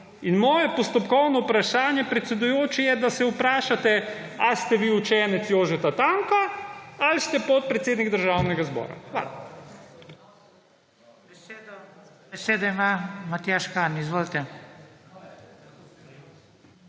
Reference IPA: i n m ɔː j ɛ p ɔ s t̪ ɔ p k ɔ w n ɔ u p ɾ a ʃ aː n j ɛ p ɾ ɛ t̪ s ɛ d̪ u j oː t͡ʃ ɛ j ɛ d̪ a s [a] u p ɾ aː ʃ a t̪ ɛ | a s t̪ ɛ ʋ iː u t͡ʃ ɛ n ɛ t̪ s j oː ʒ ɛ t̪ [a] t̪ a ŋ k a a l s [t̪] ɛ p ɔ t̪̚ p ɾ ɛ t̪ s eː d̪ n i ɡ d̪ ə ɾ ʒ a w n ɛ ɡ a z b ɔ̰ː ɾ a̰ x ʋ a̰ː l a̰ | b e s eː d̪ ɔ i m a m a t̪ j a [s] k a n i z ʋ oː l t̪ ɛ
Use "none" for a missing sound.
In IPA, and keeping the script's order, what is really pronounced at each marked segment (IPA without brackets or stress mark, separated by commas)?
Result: ɛ, a, t̪, ʃ